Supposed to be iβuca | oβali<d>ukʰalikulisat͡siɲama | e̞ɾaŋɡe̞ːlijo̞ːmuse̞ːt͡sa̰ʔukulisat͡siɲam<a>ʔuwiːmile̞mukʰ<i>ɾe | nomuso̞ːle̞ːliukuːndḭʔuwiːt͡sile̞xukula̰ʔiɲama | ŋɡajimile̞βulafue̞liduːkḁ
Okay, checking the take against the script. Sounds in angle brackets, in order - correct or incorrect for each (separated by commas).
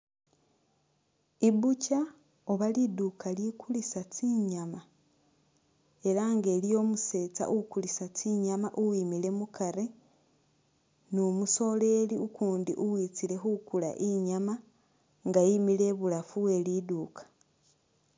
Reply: correct, correct, incorrect